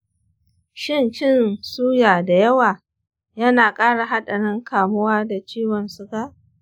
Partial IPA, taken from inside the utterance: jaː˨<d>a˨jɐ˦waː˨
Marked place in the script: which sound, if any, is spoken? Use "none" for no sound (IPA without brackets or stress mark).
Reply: d